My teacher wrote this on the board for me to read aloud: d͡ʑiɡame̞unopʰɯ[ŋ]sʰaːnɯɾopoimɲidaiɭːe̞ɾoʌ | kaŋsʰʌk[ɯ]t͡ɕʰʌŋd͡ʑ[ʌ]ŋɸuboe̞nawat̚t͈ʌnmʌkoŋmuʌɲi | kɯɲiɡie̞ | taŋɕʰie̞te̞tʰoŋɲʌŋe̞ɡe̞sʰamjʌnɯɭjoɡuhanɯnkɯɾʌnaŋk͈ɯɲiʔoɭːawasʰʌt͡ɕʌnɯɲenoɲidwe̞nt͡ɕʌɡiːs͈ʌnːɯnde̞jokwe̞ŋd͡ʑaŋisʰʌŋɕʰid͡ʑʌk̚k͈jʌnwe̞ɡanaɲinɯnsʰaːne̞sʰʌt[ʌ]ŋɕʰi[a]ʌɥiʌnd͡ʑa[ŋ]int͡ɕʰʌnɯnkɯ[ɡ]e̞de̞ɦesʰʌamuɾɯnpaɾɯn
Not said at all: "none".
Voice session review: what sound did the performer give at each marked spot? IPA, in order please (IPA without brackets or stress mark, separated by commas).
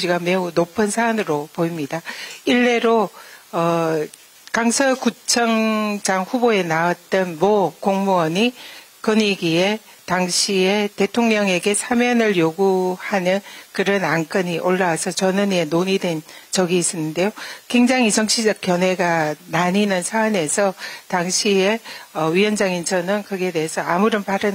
n, u, a, a, e, ŋ, ɡ